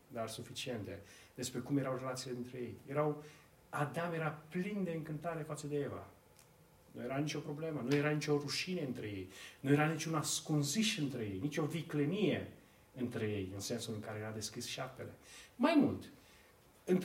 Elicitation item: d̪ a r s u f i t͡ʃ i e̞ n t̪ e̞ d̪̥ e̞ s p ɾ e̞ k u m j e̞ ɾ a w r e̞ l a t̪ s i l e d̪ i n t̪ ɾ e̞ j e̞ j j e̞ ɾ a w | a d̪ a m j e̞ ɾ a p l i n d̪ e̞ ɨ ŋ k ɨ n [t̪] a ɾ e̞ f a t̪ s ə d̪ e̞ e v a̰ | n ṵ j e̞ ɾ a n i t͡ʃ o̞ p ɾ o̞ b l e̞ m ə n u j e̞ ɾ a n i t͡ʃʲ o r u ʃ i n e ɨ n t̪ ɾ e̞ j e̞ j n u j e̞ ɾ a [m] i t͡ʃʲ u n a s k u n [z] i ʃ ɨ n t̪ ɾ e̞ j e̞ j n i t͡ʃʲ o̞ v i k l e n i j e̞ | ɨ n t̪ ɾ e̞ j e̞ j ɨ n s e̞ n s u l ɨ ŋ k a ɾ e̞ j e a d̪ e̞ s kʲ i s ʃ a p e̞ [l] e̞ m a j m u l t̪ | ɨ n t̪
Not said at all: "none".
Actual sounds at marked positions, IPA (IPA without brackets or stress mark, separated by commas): t̪, n, z, l